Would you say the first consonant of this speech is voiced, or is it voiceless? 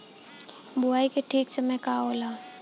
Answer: voiced